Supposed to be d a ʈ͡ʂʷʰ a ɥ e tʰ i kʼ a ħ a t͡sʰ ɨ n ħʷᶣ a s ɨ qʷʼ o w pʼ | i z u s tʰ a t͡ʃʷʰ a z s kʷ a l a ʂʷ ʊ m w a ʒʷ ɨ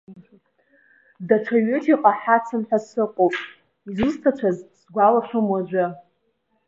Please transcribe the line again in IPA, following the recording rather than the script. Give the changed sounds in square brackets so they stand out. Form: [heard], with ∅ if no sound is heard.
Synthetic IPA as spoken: d a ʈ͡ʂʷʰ a ɥ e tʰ i [qʼ] a ħ a t͡sʰ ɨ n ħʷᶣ a s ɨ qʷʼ o w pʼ | i z u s tʰ a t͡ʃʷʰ a z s [ɡʷ] a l a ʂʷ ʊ m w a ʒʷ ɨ